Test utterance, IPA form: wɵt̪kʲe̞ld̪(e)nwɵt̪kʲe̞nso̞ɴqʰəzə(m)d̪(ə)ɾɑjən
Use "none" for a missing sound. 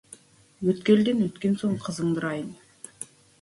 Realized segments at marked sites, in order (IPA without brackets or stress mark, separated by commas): e, ɴ, ə